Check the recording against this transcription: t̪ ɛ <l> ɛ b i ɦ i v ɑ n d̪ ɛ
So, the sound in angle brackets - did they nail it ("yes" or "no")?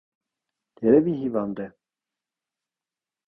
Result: no